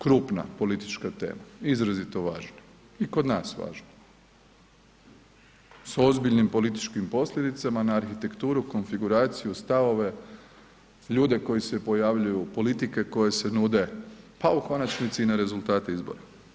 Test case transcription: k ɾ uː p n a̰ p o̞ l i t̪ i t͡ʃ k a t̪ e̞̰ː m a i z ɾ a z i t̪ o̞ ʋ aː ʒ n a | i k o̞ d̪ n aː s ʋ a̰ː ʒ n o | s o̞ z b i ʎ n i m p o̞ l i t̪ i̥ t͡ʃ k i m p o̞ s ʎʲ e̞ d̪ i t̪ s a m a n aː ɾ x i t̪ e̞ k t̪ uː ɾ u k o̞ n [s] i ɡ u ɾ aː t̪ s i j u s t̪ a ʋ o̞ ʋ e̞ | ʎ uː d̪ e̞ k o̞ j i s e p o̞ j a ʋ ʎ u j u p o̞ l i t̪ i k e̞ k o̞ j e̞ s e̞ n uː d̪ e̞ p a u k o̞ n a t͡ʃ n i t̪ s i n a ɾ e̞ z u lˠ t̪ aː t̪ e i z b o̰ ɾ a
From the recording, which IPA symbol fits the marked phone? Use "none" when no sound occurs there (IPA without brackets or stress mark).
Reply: f